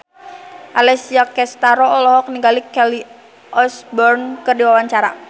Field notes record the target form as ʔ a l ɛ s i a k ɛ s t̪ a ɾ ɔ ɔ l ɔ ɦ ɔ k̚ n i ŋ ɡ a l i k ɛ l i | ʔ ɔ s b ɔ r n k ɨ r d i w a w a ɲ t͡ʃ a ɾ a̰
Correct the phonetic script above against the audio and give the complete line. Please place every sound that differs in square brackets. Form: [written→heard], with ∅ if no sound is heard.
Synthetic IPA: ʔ a l ɛ s i a k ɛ s t̪ a ɾ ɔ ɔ l ɔ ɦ ɔ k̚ n i ŋ ɡ a l i k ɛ l i | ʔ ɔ s b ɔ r n k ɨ r d i w a w a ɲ t͡ʃ a ɾ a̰